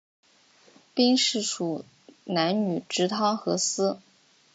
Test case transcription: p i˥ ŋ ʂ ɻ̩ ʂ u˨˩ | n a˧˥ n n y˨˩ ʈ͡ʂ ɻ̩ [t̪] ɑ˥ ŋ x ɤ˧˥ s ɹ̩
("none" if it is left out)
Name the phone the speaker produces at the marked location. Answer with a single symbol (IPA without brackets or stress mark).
t̪ʰ